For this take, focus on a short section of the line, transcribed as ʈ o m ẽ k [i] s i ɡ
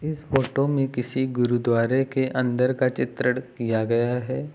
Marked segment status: incorrect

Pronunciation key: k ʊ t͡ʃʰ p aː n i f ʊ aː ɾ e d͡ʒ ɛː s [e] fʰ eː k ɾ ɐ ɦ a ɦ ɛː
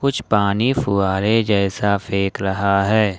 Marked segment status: incorrect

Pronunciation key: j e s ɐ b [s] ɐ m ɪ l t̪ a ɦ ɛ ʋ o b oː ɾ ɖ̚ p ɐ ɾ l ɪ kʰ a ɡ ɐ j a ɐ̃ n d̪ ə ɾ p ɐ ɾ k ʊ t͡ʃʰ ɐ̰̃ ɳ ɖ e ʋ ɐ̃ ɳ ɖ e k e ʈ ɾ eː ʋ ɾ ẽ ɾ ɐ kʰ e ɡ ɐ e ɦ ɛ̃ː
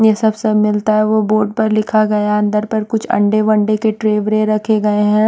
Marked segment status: correct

